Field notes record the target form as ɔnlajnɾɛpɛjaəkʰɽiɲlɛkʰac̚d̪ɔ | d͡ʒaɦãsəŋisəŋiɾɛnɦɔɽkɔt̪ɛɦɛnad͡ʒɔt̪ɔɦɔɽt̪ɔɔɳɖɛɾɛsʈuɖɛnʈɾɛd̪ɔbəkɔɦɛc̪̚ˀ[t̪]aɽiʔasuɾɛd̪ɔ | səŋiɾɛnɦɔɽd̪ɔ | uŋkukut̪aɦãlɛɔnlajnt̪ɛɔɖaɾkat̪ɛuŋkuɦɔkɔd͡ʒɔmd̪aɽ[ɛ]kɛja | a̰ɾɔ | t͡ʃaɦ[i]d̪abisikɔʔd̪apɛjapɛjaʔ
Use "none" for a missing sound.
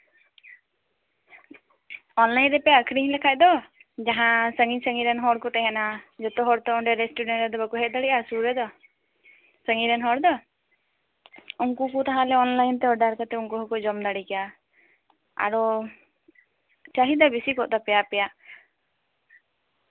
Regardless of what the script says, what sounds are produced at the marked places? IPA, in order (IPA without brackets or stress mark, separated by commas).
d̪, i, i